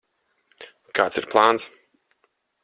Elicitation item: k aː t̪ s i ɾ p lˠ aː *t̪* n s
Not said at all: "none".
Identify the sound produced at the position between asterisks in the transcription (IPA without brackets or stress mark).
none